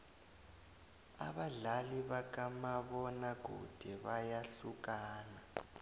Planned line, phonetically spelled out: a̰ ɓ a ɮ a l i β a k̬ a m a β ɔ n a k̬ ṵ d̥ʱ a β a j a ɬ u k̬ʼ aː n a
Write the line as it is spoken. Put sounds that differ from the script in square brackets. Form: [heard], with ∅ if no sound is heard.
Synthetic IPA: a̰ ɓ a ɮ a l i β a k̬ a m a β ɔ n a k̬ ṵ d̥ʱ [ɛ] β a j a ɬ u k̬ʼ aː n a